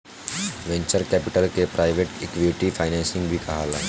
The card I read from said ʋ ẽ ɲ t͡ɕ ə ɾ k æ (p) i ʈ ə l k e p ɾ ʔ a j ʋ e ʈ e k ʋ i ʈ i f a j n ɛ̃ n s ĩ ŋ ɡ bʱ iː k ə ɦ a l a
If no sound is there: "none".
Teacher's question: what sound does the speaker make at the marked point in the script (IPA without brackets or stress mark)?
p